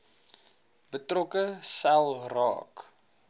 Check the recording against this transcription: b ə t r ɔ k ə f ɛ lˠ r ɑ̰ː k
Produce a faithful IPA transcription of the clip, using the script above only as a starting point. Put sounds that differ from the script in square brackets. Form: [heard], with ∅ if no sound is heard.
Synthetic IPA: b ə t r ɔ k ə [s] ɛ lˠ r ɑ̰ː k